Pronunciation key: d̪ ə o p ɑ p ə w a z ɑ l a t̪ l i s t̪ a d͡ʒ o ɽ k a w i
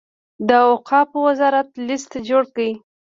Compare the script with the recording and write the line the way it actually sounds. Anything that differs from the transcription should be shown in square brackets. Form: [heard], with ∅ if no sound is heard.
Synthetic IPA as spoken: d̪ ə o [q] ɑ p ə w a z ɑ [ɾ] a t̪ l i s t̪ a d͡ʒ o ɽ k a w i